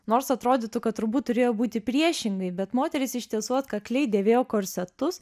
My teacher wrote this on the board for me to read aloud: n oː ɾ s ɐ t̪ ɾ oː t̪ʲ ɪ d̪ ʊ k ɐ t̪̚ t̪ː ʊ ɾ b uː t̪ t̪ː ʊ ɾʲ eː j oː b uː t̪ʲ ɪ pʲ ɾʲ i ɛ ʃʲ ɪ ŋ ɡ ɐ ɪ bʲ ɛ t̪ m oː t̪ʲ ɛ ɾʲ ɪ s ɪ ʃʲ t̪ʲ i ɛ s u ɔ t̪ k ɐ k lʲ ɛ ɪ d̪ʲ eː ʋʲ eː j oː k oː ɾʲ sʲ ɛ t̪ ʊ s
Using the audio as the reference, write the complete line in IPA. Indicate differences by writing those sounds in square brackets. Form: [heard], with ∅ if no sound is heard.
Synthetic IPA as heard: n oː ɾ s ɐ t̪ ɾ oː [d̪ʲ] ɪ [t̪] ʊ k ɐ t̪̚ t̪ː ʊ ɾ b uː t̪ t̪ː ʊ ɾʲ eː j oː b uː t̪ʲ ɪ pʲ ɾʲ i ɛ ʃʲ ɪ ŋ ɡ ɐ ɪ bʲ ɛ t̪ m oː t̪ʲ ɛ ɾʲ ɪ s ɪ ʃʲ t̪ʲ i ɛ s u ɔ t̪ k ɐ k lʲ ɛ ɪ d̪ʲ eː ʋʲ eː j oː k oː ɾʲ sʲ ɛ t̪ ʊ s